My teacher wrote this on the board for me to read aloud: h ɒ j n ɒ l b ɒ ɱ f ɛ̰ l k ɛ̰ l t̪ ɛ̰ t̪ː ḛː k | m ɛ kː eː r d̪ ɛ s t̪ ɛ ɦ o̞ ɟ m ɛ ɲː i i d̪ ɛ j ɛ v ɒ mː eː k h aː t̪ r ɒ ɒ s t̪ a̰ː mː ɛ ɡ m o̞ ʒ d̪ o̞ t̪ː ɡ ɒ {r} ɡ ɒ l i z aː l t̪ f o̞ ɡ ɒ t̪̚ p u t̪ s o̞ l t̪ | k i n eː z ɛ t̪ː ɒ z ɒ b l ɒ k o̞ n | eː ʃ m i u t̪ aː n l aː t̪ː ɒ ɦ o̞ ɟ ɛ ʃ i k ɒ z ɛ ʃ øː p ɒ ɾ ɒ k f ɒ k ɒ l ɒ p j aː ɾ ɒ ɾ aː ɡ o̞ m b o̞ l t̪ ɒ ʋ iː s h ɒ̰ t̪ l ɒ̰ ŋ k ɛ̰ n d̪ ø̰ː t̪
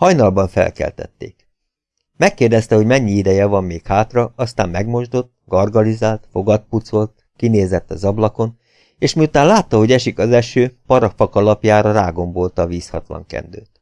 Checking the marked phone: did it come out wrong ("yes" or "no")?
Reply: no